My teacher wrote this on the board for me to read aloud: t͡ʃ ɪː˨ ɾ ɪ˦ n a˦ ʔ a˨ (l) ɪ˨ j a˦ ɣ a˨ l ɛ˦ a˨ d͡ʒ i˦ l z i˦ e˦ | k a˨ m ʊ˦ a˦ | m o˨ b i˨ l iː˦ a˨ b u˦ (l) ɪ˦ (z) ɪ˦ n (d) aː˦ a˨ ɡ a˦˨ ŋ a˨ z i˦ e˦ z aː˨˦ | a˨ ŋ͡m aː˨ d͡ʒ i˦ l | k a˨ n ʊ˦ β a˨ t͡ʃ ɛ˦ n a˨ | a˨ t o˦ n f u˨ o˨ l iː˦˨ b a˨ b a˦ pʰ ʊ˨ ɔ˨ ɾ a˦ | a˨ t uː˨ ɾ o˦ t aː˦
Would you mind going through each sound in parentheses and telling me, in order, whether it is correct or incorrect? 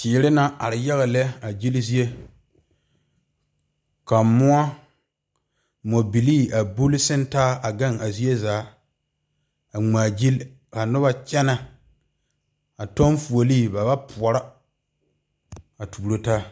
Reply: incorrect: ɾ, correct, incorrect: s, incorrect: t

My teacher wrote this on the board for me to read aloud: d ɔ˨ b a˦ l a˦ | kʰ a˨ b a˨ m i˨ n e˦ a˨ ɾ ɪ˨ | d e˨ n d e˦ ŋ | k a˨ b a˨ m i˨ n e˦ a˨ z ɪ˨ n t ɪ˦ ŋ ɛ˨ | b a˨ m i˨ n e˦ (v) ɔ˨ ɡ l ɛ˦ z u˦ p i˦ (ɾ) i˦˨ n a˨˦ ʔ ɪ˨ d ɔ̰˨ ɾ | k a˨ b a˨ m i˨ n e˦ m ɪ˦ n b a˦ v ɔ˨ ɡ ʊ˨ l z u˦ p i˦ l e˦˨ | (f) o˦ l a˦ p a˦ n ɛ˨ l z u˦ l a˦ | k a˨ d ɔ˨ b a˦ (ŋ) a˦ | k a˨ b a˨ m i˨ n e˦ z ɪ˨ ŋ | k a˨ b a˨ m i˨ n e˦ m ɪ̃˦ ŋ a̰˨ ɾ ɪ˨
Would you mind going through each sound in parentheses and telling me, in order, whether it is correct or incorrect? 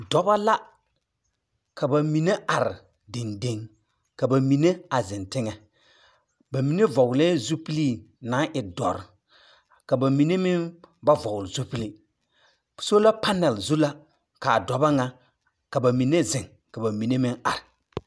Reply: correct, incorrect: l, incorrect: s, correct

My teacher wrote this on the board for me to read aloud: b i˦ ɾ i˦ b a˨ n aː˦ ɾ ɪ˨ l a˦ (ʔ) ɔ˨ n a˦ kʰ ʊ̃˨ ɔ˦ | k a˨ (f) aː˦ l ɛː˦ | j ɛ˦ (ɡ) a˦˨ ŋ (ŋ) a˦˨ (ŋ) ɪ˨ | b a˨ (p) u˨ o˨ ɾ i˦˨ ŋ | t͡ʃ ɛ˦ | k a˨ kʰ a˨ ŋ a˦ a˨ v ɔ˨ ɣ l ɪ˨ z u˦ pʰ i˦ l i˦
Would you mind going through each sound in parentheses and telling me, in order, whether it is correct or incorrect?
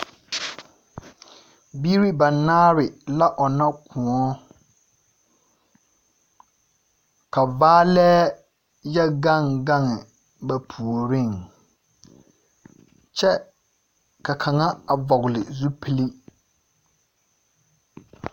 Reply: correct, incorrect: v, correct, incorrect: ɡ, correct, incorrect: pʰ

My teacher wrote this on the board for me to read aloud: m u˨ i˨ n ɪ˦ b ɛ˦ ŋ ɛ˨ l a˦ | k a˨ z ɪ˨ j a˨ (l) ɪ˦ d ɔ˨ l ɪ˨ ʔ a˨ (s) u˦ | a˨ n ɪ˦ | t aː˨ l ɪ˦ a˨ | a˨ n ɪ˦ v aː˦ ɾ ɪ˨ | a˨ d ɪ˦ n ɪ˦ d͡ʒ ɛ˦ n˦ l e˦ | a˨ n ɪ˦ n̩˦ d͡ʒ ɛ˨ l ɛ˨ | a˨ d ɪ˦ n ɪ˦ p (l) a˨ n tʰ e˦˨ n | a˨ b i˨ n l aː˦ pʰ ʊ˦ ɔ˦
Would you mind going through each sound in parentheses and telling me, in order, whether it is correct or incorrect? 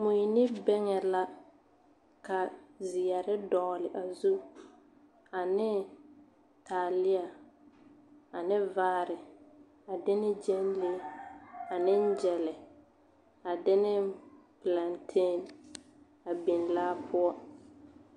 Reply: incorrect: ɾ, incorrect: z, correct

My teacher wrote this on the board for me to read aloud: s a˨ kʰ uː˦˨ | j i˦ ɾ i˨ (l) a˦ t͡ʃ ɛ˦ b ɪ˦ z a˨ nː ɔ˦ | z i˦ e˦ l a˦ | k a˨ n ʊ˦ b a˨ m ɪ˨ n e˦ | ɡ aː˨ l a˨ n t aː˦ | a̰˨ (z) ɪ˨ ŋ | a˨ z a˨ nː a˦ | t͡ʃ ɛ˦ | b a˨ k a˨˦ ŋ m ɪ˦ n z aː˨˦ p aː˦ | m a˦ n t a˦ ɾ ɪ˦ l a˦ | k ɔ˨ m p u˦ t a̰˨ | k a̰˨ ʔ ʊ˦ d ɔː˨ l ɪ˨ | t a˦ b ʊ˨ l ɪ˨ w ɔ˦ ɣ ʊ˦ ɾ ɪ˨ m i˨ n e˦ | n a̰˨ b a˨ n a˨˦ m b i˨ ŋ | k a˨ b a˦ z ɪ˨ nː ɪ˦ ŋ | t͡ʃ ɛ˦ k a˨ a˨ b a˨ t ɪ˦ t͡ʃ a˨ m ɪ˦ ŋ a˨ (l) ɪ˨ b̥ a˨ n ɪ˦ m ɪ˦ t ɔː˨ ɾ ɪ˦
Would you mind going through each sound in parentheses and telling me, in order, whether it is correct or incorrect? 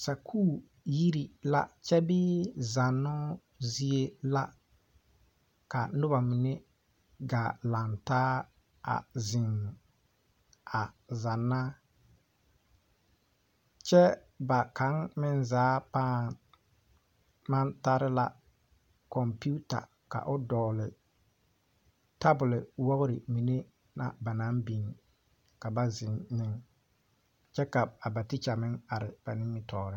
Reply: correct, correct, incorrect: ɾ

